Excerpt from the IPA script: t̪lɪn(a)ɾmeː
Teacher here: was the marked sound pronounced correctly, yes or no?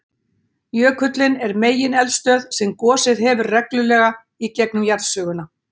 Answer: no